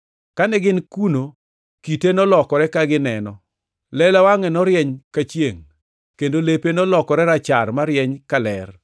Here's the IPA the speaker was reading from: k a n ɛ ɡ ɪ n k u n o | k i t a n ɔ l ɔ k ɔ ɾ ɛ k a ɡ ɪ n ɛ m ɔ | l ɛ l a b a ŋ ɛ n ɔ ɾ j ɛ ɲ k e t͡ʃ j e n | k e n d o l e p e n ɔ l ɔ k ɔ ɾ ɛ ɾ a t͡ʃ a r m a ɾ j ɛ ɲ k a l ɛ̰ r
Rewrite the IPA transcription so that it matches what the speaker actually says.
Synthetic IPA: k a n ɛ ɡ ɪ n k u n o | k i t e n ɔ l ɔ k ɔ ɾ ɛ k a ɡ ɪ n ɛ n ɔ | l ɛ l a w a ŋ ɛ n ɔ ɾ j ɛ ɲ k a t͡ʃ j e ŋ | k e n d o l e p e n ɔ l ɔ k ɔ ɾ ɛ ɾ a t͡ʃ a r m a ɾ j ɛ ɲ k a l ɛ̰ r